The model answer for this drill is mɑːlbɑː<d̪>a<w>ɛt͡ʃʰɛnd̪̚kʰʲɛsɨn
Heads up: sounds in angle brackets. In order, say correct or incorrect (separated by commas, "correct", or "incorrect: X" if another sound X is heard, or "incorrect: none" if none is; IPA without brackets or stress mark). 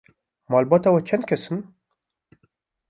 incorrect: t̪, correct